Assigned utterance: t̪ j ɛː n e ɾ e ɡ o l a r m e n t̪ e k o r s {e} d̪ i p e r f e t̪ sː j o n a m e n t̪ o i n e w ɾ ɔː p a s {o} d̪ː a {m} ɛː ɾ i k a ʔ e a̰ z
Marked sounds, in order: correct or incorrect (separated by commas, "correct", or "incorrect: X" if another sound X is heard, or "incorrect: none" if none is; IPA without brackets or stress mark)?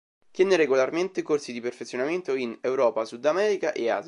incorrect: i, incorrect: u, correct